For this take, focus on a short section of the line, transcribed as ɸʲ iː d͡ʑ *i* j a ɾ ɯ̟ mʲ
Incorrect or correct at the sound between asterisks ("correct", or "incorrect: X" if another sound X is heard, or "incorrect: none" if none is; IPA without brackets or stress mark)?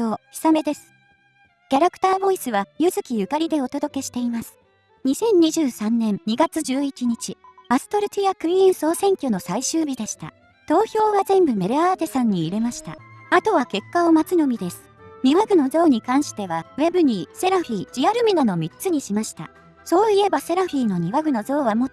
correct